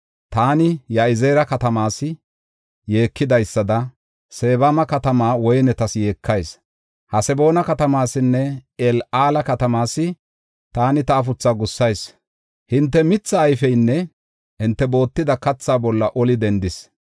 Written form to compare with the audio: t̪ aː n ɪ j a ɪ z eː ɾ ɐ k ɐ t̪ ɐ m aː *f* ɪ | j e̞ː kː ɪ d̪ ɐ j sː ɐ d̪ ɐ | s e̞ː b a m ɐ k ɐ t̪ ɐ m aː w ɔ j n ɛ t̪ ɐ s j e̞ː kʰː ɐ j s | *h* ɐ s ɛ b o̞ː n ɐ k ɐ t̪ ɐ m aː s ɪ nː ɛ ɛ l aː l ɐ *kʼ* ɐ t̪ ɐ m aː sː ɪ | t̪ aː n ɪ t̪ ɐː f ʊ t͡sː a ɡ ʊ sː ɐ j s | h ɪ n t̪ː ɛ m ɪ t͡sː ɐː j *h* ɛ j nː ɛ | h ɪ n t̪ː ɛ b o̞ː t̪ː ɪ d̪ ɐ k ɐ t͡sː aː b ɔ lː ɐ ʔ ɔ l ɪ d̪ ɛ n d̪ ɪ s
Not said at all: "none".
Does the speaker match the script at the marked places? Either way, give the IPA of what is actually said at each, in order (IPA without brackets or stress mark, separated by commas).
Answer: s, h, k, f